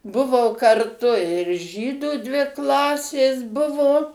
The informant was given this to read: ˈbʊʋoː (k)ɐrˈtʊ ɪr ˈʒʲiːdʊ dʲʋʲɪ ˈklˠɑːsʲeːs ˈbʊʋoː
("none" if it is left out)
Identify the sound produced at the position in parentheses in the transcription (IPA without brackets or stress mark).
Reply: k